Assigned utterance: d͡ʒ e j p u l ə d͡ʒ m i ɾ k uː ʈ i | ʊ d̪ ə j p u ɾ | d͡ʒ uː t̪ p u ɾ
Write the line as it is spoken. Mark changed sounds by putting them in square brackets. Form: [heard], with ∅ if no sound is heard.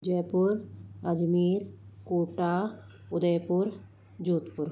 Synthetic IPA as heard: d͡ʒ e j p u [ɾ] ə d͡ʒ m i ɾ k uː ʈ [a] | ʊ d̪ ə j p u ɾ | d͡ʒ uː t̪ p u ɾ